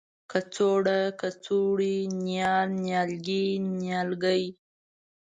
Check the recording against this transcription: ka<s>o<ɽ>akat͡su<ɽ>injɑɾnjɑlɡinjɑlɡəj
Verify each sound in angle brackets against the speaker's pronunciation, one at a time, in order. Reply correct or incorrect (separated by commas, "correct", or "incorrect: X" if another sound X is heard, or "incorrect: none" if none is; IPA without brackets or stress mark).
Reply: incorrect: t͡s, correct, correct